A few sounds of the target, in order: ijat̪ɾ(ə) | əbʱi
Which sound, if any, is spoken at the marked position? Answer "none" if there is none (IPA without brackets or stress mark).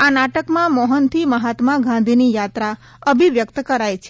a